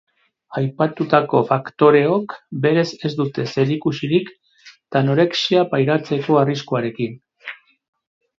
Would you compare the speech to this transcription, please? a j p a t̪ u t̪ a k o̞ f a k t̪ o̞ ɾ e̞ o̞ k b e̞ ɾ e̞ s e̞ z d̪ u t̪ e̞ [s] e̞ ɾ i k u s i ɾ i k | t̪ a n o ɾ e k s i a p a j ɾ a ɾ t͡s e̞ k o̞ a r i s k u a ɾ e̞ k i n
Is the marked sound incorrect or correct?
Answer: correct